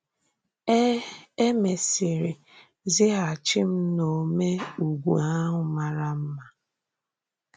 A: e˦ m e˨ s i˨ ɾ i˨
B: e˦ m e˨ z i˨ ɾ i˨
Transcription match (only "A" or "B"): A